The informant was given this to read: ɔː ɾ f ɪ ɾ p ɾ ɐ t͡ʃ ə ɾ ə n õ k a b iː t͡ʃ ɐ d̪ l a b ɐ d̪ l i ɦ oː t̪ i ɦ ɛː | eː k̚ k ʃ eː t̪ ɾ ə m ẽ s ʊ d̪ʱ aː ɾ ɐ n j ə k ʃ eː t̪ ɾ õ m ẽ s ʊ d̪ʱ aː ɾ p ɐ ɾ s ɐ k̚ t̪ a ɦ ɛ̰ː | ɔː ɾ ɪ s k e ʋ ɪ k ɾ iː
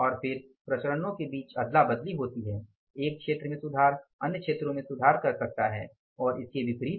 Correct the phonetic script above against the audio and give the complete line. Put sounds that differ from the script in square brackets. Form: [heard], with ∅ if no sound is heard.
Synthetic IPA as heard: ɔː ɾ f ɪ ɾ p ɾ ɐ t͡ʃ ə ɾ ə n õ k [e] b iː t͡ʃ ɐ d̪ l a b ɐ d̪ l i ɦ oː t̪ i ɦ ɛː | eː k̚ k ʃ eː t̪ ɾ ə m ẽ s ʊ d̪ʱ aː ɾ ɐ n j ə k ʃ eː t̪ ɾ õ m ẽ s ʊ d̪ʱ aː ɾ [k] ɐ ɾ s ɐ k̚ t̪ a ɦ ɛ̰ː | ɔː ɾ ɪ s k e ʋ ɪ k ɾ iː